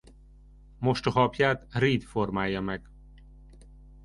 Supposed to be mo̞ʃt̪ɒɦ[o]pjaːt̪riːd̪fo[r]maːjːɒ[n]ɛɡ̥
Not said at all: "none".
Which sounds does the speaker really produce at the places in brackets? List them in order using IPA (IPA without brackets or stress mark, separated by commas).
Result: ɒ, r, m